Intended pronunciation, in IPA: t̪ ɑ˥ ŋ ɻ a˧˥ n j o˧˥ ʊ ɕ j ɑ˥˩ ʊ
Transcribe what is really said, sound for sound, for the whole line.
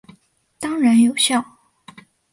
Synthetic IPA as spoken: t̪ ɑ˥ ŋ ɻ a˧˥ n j o˨˩ ʊ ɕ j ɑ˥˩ ʊ